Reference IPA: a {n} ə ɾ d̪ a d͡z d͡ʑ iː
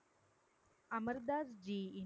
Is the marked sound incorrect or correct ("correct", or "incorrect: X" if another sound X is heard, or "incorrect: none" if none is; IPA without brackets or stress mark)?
incorrect: m